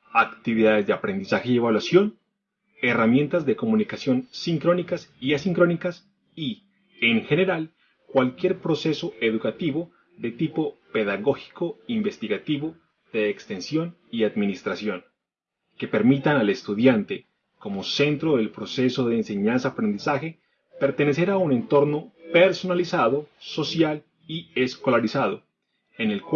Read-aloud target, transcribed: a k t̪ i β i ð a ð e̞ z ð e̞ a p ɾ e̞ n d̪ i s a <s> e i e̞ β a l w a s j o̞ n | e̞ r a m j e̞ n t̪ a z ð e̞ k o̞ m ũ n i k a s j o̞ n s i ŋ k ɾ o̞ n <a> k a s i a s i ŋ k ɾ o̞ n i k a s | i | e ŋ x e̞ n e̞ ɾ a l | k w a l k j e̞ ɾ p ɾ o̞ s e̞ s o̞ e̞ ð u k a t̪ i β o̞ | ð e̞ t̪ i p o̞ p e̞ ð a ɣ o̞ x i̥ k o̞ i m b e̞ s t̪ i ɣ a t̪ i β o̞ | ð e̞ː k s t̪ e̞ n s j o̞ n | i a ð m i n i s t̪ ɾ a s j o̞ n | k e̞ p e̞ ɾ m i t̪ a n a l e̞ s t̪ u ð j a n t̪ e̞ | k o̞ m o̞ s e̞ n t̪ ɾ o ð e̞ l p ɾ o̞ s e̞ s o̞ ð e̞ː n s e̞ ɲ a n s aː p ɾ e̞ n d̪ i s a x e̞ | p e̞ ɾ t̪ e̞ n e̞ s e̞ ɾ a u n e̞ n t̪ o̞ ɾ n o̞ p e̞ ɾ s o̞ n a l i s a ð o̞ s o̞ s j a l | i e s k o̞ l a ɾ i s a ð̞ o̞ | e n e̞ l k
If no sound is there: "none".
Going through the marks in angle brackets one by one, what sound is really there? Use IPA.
x, i

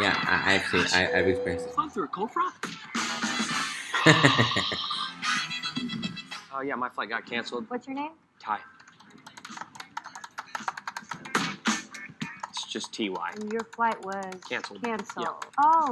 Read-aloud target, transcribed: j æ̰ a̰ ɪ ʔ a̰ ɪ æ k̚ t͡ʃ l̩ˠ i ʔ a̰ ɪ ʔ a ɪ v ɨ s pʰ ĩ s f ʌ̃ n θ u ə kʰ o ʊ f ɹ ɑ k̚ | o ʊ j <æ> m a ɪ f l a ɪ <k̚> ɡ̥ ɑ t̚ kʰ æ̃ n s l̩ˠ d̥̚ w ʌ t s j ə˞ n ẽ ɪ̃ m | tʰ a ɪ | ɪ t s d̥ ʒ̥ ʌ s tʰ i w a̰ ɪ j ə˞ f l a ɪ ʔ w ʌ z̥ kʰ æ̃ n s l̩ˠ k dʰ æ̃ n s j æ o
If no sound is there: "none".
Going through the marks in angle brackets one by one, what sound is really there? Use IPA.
æ, t̚

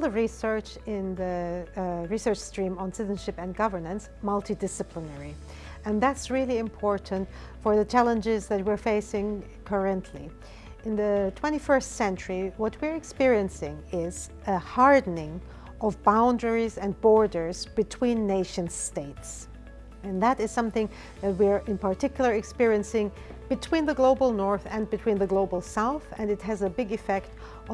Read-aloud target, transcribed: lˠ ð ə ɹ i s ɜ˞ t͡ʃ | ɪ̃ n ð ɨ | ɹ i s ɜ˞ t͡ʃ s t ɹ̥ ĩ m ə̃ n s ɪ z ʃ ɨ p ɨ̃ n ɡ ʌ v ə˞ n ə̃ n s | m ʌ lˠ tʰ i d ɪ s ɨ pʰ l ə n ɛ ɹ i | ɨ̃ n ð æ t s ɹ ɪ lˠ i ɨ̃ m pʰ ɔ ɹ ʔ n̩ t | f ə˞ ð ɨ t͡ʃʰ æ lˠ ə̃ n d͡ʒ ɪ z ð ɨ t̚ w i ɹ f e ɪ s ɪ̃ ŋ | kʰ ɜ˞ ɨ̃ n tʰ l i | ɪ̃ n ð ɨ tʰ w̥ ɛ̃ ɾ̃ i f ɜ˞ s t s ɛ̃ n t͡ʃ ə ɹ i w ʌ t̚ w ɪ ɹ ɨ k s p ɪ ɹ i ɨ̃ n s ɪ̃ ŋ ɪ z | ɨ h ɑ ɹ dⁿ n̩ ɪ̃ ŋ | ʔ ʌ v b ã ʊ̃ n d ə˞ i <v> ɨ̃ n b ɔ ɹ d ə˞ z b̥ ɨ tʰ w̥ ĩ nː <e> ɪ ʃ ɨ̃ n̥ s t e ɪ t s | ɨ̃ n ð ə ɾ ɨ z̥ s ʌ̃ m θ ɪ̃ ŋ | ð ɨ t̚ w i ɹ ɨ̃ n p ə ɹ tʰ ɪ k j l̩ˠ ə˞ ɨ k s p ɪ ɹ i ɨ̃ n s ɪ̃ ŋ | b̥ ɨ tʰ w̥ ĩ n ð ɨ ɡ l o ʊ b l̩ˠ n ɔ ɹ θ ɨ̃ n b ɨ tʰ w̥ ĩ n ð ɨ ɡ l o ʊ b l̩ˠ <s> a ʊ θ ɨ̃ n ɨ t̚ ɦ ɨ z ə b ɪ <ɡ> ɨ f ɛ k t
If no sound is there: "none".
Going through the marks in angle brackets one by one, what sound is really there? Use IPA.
z, e, s, ɡ

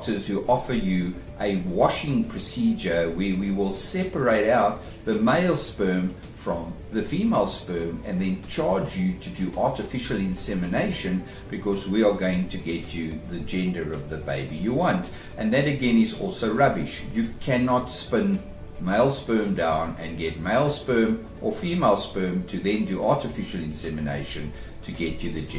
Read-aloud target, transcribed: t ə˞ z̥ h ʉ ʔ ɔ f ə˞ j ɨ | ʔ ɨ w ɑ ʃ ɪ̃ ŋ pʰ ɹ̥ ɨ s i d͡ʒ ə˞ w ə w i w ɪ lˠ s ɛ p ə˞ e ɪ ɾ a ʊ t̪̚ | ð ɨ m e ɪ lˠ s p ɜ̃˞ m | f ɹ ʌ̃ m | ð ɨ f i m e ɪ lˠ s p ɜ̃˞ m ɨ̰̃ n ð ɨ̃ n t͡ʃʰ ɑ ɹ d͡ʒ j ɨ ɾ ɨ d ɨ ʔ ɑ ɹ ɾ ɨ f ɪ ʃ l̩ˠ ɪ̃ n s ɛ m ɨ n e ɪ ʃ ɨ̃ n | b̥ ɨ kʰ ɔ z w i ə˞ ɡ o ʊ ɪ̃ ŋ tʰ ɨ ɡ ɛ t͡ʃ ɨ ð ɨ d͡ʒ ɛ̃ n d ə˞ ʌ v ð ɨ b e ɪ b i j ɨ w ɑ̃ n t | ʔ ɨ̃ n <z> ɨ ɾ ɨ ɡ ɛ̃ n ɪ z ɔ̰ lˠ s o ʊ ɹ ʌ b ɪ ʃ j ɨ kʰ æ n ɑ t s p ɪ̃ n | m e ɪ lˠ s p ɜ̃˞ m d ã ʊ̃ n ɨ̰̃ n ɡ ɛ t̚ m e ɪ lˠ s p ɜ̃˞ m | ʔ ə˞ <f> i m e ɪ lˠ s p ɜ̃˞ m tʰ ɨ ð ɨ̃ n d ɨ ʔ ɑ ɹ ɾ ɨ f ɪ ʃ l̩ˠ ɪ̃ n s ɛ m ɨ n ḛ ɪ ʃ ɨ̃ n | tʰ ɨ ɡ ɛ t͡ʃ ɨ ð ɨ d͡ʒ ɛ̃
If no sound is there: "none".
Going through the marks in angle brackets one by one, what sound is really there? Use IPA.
ð, f

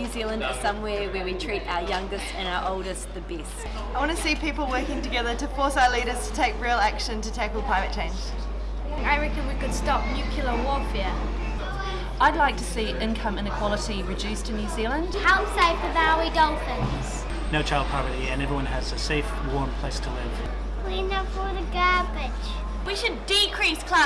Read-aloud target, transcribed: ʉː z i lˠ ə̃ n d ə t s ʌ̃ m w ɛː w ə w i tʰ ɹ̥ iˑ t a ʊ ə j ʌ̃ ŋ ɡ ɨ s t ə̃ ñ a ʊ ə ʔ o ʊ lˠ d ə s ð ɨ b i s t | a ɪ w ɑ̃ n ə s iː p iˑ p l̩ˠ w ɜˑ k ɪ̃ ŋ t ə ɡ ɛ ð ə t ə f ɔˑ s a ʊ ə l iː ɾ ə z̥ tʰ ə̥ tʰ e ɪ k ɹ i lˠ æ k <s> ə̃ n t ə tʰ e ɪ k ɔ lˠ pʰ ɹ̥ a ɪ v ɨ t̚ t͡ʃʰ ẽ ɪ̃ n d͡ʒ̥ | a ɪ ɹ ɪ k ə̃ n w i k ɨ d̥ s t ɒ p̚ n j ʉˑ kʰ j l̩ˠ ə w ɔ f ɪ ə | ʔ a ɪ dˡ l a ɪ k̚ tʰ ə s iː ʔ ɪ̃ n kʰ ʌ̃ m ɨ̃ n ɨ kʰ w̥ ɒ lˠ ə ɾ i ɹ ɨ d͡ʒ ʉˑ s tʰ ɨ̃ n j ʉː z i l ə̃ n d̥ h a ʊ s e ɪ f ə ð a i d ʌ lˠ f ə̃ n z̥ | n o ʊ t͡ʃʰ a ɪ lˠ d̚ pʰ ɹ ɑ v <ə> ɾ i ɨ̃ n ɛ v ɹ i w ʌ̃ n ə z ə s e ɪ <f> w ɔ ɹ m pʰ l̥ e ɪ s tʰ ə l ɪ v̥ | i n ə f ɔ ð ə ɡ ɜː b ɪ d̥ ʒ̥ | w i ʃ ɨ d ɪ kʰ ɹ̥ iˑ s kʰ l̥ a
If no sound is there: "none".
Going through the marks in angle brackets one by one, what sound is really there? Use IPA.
ʃ, ə, f

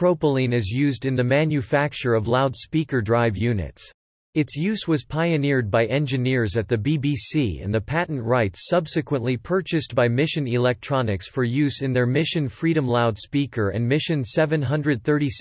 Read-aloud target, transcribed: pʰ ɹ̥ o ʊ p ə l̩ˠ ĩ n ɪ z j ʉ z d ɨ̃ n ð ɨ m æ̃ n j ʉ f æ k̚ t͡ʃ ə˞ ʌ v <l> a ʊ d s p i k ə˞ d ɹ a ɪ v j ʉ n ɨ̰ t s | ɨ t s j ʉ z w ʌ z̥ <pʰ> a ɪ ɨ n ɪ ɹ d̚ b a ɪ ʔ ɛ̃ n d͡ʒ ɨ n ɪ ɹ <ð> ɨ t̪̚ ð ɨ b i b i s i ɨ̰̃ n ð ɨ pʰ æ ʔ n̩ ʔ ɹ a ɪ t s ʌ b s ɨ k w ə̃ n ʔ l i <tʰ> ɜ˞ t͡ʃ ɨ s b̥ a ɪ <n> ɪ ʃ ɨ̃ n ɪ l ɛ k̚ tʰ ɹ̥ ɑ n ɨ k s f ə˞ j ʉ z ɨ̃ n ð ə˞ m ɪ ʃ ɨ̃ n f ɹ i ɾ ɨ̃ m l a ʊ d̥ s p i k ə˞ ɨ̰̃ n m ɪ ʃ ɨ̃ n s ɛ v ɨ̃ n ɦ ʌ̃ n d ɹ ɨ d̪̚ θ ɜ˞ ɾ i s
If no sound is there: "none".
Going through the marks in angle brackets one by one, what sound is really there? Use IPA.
l, pʰ, z, pʰ, m

